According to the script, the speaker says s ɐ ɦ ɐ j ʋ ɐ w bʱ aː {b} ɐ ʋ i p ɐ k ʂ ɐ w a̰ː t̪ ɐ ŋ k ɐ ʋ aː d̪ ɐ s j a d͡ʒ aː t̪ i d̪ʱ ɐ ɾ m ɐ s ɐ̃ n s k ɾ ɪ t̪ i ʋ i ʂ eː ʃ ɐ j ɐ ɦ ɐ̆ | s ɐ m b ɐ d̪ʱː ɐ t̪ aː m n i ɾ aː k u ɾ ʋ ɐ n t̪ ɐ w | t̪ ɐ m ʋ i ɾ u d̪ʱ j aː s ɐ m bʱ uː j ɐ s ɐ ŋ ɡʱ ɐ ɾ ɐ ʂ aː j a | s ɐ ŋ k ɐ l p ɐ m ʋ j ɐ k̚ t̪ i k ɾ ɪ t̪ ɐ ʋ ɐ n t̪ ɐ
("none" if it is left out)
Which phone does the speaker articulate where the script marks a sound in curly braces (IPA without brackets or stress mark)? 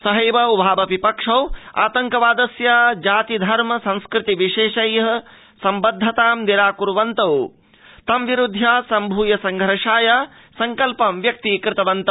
b